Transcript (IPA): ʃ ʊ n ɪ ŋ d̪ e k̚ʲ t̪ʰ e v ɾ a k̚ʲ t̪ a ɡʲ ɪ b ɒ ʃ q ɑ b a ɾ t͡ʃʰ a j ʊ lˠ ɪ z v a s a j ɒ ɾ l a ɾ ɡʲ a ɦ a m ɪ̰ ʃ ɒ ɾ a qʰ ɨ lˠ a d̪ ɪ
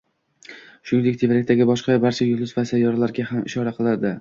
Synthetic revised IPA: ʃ ʊ n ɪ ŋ d̪ e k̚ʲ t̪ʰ e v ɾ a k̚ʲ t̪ a ɡʲ ɪ b ɒ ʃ q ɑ b a ɾ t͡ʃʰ a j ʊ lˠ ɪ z v a s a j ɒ ɾ l a ɾ ɡʲ a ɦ a m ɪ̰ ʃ ɒ ɾ a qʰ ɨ lˠ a d̪ ɪ